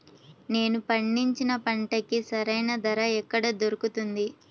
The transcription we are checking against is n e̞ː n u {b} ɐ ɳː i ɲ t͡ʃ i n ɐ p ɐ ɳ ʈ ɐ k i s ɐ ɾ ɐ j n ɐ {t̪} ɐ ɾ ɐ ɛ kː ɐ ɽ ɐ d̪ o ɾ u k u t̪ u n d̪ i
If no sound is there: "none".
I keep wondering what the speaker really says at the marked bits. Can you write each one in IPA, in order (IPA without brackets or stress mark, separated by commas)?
p, d̪